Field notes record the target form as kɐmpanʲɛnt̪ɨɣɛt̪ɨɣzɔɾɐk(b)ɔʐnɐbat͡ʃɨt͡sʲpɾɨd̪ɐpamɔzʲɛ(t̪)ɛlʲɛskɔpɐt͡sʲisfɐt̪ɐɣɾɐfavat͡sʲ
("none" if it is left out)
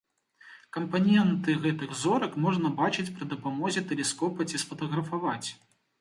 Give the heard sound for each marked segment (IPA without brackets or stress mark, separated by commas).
m, t̪